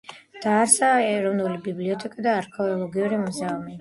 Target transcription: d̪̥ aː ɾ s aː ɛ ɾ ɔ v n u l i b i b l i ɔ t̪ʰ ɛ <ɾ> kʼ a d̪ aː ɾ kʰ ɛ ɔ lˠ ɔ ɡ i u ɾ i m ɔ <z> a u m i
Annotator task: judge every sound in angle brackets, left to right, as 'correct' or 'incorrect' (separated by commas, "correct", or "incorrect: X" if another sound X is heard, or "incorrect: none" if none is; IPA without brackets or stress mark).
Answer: incorrect: none, correct